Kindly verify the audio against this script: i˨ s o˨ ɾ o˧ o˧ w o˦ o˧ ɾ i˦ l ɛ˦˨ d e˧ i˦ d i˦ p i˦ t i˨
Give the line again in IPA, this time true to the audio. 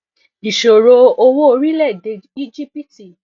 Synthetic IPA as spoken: i˨ ʃ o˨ ɾ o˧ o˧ w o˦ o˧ ɾ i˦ l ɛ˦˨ d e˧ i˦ d͡ʒ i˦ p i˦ t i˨